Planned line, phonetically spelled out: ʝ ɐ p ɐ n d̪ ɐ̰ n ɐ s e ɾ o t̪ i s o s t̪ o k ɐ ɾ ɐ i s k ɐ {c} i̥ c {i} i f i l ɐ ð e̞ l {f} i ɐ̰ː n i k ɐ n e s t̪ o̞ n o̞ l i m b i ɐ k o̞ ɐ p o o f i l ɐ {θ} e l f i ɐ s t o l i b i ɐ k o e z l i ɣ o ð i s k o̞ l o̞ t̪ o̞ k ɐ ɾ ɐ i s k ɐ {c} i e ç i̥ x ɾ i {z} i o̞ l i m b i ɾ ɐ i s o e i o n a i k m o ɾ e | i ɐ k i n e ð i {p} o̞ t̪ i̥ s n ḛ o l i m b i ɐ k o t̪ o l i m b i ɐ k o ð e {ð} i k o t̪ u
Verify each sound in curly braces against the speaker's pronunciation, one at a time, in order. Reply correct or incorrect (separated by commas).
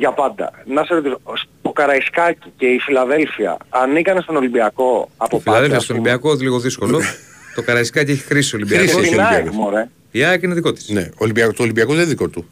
correct, incorrect, correct, incorrect, correct, incorrect, incorrect, correct